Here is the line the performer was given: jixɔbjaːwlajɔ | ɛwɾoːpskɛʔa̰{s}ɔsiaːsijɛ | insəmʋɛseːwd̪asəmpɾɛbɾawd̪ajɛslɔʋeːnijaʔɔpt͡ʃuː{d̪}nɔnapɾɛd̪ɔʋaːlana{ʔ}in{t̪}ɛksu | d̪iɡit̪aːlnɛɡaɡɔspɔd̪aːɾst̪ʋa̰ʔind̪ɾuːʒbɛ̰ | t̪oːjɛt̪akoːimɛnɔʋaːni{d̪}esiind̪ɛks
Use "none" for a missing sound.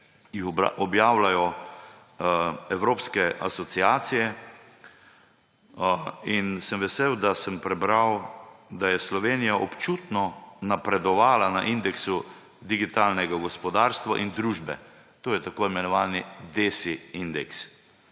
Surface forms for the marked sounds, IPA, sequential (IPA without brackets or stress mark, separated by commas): s, t̪, ʔ, d̪, d̪